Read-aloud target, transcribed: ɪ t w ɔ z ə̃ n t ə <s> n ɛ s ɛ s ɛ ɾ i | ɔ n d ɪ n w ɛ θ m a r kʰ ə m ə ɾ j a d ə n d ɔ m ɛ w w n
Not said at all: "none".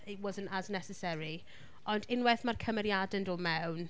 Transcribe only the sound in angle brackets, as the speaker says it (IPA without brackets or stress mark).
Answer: z